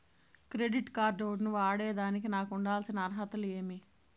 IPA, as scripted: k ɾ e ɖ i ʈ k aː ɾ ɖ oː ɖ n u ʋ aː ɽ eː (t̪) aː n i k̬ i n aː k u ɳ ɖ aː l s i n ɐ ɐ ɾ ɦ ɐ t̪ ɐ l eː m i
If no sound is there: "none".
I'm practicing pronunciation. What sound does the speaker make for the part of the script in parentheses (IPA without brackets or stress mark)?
d̪